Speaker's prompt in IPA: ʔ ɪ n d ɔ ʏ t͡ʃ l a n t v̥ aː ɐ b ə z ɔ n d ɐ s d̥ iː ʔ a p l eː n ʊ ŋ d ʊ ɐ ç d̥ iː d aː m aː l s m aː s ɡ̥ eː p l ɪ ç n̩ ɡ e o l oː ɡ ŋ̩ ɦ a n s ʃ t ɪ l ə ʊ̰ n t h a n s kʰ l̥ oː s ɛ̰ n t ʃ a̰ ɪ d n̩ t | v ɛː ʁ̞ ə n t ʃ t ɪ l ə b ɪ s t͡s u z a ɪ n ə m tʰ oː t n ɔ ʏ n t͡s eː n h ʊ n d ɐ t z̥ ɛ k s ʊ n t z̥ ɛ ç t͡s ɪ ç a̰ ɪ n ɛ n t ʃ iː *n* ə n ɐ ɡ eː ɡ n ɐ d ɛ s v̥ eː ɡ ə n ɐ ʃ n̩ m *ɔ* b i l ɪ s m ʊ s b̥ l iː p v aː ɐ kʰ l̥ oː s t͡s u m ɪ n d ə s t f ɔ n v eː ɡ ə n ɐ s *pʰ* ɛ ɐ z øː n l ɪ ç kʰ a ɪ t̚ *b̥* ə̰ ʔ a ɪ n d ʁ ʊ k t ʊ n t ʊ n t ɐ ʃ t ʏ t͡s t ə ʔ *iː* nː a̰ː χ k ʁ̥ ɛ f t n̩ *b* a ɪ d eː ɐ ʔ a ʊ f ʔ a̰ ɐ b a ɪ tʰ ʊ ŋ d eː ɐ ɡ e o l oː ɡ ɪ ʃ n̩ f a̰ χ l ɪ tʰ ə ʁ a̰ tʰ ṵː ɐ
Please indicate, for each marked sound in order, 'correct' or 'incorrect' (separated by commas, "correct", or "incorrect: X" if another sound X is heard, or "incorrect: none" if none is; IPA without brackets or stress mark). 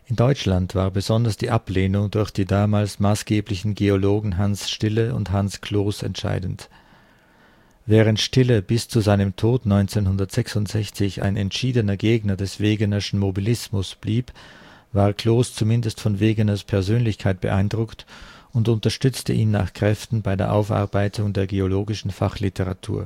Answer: incorrect: d, incorrect: o, correct, correct, correct, correct